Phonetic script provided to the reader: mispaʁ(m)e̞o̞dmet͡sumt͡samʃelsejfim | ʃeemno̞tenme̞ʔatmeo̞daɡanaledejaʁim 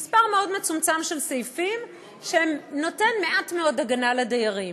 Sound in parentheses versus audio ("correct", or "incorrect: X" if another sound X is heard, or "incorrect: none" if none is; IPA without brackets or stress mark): correct